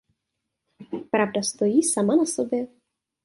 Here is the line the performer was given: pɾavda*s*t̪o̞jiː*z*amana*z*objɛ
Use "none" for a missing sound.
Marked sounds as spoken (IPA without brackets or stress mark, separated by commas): s, s, s